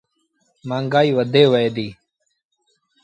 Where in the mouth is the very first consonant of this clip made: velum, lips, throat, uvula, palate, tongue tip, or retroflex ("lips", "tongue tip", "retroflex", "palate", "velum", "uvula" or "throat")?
lips